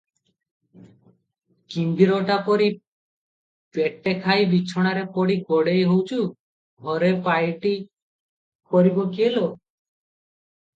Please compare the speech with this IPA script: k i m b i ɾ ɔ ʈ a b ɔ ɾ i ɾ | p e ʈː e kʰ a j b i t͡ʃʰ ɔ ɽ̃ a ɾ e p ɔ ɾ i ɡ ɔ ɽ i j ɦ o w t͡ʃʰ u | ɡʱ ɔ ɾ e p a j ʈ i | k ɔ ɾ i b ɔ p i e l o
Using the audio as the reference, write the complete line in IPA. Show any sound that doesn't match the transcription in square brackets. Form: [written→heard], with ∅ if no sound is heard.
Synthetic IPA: k i m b i ɾ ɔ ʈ a [b→p] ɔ ɾ i [ɾ→∅] | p e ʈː e kʰ a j b i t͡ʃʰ ɔ ɽ̃ a ɾ e p ɔ [ɾ→ɽ] i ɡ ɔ ɽ [i→e] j ɦ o w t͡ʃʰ u | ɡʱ ɔ ɾ e p a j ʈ i | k ɔ ɾ i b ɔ [p→k] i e l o